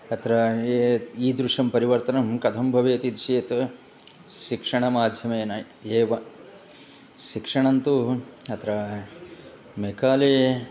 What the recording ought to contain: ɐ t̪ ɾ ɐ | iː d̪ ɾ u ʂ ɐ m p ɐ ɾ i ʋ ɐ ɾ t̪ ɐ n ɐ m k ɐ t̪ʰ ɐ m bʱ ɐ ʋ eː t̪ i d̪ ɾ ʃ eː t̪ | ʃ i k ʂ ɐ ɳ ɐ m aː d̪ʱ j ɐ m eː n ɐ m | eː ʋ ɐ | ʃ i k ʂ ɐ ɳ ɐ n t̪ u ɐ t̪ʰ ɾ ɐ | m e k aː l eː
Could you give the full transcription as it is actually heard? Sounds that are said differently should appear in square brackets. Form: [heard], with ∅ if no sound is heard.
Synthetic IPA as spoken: ɐ t̪ ɾ ɐ | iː d̪ ɾ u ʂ ɐ m p ɐ ɾ i ʋ ɐ ɾ t̪ ɐ n ɐ m k ɐ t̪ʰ ɐ m bʱ ɐ ʋ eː t̪ i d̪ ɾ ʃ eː t̪ | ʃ i k ʂ ɐ ɳ ɐ m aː d̪ʱ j ɐ m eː n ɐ [∅] | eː ʋ ɐ | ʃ i k ʂ ɐ ɳ ɐ n t̪ u ɐ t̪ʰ ɾ ɐ | m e k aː l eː